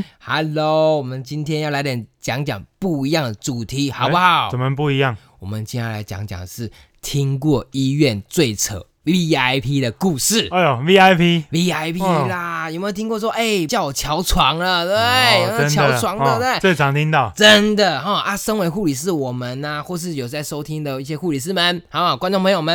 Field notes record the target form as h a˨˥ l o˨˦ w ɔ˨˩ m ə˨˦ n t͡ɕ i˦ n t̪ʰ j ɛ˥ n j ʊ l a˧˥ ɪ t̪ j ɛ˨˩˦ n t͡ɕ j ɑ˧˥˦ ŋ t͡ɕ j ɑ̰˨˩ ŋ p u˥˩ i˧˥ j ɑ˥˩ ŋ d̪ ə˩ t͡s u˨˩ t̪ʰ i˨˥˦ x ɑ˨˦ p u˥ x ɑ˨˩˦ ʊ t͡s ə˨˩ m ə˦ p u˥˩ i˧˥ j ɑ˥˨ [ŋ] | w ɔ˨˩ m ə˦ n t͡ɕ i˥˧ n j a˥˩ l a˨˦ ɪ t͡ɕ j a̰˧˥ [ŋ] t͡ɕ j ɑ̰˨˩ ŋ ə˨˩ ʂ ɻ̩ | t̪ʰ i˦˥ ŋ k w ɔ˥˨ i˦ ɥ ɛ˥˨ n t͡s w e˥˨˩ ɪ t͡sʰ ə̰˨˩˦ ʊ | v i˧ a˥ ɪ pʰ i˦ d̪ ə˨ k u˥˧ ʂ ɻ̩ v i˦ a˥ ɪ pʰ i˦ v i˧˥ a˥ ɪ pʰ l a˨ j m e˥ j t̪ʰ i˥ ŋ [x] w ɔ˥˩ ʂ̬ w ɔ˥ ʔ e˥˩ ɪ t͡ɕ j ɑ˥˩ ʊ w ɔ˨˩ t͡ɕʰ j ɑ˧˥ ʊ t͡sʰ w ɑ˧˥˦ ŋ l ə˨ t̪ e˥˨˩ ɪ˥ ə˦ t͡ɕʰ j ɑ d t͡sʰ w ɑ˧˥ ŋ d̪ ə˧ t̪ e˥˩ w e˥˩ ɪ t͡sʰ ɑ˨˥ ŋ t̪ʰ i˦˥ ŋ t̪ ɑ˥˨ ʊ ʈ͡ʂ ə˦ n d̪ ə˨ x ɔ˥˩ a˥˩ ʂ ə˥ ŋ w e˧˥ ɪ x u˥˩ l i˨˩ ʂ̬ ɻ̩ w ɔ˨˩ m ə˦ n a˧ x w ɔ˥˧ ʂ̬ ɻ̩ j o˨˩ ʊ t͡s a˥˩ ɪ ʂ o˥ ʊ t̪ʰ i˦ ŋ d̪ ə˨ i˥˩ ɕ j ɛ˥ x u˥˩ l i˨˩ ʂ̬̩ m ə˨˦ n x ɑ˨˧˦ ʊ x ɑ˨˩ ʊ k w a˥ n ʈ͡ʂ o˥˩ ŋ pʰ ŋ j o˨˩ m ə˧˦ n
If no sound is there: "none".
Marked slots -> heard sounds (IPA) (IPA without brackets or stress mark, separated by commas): ŋ, ŋ, k